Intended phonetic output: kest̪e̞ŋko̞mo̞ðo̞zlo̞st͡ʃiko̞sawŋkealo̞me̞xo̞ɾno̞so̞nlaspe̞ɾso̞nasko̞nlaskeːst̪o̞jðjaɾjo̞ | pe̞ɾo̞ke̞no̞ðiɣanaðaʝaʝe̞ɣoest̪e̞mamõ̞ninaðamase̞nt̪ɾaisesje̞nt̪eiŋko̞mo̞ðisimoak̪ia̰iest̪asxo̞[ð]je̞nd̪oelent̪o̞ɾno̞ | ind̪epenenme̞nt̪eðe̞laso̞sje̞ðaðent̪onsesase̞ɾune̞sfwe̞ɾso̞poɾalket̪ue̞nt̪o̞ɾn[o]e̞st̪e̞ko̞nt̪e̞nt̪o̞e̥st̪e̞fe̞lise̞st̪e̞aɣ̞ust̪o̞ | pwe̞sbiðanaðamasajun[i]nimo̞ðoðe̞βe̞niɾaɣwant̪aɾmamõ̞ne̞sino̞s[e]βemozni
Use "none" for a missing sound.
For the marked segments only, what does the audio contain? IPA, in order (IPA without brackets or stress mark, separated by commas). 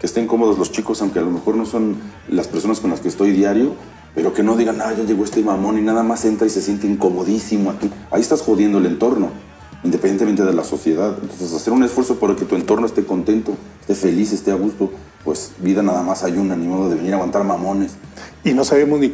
ð, o, a, a